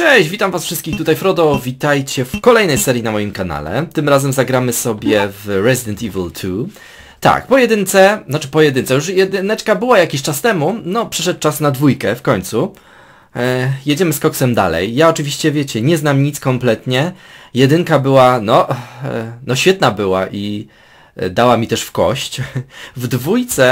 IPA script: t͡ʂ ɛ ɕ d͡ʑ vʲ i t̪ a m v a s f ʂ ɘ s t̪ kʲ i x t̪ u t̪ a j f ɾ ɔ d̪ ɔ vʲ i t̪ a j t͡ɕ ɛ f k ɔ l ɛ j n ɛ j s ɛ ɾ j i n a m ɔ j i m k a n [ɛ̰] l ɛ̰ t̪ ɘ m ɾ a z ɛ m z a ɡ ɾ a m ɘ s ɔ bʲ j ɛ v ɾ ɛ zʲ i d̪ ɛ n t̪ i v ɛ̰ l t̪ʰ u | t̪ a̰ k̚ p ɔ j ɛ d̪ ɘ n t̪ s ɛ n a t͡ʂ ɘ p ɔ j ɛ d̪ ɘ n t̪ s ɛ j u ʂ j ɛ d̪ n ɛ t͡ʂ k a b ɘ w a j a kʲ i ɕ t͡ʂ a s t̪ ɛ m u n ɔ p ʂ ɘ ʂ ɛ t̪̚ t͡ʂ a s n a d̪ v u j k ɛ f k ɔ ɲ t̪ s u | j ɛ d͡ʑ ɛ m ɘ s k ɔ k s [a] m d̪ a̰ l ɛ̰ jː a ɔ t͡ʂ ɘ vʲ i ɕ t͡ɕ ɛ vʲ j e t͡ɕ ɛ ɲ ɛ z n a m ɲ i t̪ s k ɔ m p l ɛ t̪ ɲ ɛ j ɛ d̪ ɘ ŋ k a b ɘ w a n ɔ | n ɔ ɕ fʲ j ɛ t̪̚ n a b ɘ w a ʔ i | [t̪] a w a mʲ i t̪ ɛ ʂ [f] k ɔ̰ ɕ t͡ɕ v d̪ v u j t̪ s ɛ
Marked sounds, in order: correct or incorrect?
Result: incorrect, incorrect, incorrect, correct

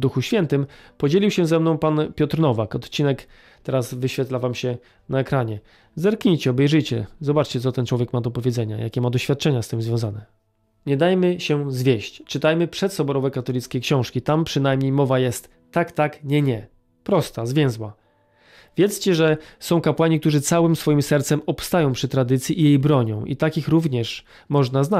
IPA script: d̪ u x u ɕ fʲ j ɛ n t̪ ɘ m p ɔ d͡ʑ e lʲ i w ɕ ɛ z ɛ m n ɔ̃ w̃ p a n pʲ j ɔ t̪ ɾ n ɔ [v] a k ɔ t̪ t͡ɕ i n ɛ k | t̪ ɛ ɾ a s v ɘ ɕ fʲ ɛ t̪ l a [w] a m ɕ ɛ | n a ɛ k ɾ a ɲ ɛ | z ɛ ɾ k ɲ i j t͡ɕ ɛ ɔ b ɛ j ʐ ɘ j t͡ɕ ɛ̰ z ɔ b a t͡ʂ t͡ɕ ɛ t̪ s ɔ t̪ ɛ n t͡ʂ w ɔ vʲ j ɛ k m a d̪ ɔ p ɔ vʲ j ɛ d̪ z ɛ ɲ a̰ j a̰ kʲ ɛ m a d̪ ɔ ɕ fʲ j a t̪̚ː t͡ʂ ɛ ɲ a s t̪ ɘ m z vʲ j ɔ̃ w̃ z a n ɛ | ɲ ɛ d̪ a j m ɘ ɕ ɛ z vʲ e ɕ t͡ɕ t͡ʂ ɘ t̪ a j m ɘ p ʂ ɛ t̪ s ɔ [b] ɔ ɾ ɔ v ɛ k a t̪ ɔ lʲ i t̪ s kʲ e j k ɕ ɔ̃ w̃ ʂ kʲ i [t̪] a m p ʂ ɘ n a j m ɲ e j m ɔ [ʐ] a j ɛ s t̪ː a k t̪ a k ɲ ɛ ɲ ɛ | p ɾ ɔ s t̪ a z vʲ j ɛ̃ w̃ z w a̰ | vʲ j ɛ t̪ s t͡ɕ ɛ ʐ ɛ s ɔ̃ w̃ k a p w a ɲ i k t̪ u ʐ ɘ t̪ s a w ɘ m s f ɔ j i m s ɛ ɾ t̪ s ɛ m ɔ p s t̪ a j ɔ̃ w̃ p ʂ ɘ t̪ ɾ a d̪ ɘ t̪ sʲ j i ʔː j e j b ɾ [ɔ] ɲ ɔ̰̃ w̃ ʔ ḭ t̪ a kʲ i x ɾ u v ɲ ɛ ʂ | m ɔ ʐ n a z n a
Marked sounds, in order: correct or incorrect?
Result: correct, incorrect, correct, correct, incorrect, correct

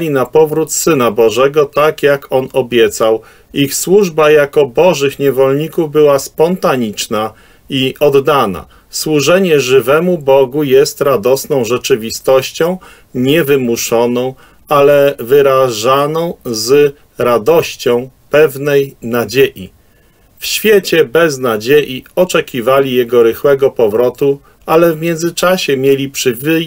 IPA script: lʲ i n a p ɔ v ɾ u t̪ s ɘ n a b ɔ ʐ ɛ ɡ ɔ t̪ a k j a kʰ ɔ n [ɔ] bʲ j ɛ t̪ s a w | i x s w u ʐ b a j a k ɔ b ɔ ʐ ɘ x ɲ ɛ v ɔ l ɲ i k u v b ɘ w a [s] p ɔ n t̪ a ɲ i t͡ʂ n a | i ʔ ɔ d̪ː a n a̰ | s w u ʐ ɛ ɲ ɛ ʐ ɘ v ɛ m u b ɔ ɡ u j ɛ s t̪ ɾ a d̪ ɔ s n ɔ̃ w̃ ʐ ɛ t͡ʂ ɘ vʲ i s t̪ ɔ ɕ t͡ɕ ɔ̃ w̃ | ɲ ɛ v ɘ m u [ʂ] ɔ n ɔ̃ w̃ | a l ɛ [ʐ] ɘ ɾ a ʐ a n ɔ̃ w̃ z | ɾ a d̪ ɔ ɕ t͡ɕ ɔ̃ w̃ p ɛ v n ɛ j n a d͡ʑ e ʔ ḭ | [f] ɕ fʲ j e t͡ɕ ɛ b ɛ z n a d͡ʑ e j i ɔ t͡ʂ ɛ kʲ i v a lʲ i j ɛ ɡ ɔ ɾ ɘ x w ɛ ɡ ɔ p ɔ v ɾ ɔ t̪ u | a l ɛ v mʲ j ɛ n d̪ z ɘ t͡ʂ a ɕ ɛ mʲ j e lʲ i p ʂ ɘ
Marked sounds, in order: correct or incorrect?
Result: correct, correct, correct, incorrect, correct

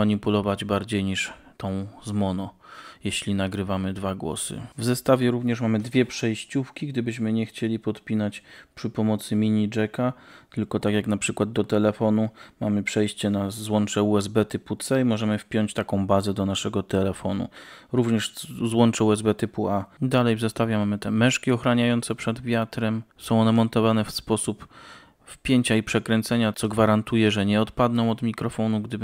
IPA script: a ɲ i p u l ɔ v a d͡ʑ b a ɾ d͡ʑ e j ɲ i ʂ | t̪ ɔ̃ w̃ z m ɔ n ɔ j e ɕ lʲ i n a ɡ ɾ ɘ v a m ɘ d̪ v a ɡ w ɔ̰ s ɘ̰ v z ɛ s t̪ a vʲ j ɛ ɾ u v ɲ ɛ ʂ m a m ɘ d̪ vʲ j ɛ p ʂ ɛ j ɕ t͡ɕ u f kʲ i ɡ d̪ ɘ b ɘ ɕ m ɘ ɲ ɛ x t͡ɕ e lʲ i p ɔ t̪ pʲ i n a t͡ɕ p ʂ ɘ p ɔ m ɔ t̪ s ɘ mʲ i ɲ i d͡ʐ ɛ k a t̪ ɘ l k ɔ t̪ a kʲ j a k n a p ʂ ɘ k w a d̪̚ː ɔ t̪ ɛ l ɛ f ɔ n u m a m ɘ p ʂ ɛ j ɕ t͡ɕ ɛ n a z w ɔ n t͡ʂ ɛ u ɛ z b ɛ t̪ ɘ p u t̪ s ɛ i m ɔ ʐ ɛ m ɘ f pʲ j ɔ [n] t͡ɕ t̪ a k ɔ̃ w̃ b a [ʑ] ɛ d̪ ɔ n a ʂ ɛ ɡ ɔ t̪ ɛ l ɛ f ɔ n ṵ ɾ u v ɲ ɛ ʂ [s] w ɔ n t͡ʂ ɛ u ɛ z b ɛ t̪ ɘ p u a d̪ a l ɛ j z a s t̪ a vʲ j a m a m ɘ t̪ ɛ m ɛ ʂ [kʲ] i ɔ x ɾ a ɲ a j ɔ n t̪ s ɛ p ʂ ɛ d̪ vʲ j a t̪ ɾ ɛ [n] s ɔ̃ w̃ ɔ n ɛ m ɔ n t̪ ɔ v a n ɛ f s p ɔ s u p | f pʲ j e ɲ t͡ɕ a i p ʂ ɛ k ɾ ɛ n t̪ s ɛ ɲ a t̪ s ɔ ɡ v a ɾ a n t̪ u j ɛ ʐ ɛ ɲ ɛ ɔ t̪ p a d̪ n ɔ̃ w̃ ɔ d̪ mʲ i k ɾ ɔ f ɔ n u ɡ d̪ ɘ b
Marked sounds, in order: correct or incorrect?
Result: incorrect, incorrect, incorrect, correct, incorrect

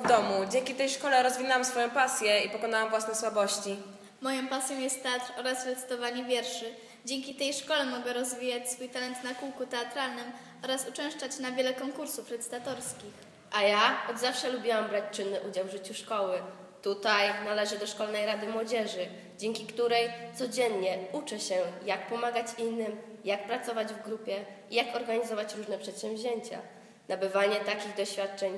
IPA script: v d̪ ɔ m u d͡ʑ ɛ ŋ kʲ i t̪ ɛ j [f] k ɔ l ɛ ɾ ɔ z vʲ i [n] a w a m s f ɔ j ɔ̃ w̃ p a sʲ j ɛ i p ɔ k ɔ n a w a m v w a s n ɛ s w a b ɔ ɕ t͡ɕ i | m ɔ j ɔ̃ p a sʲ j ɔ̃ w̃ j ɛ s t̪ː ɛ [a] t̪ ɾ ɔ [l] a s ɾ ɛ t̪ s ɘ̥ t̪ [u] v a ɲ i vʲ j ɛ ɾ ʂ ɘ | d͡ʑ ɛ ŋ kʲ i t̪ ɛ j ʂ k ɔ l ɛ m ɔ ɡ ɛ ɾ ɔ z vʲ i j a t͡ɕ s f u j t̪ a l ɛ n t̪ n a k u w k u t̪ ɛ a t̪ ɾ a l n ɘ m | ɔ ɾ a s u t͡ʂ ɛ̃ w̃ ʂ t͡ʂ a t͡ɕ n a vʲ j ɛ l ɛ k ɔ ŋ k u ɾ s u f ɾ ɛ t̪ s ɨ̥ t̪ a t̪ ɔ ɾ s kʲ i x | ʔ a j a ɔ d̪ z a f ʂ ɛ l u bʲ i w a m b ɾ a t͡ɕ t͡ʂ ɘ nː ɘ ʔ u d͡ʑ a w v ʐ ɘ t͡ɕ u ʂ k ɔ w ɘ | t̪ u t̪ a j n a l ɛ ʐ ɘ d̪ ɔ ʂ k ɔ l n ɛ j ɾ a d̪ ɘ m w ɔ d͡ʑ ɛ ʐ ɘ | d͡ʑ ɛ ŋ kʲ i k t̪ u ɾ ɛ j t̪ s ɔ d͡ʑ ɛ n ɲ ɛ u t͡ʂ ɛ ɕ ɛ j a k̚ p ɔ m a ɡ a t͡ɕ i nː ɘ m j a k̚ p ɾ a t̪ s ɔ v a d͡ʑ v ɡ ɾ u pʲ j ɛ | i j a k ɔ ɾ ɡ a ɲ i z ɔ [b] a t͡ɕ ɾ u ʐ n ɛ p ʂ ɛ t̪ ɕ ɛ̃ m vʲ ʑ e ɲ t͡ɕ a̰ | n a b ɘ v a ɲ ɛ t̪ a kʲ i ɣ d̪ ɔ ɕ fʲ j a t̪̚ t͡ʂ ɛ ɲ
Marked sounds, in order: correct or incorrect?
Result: incorrect, correct, correct, incorrect, incorrect, incorrect

